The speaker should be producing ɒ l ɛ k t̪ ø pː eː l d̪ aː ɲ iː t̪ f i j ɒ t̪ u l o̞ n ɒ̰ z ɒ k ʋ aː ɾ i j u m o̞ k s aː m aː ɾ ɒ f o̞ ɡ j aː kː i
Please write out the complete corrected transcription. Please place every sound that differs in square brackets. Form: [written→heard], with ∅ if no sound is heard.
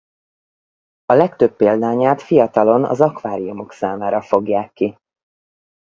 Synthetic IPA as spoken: ɒ l ɛ k t̪ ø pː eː l d̪ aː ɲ [iː→aː] t̪ f i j ɒ t̪ [u→ɒ] l o̞ n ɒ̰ z ɒ k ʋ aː ɾ i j u m o̞ k s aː m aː ɾ ɒ f o̞ ɡ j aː kː i